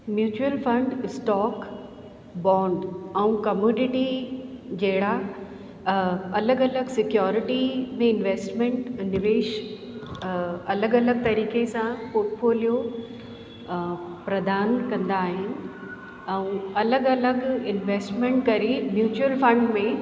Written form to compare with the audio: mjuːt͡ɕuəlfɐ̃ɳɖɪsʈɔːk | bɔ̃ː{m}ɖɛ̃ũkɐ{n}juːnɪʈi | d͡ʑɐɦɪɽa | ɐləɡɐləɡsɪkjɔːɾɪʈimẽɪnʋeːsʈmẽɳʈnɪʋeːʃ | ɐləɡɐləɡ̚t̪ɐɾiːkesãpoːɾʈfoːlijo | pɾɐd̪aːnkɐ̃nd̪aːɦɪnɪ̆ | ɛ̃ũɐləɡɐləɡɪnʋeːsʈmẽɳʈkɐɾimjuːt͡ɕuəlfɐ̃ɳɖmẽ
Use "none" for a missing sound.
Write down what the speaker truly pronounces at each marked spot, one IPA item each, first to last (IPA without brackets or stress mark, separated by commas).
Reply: ɳ, m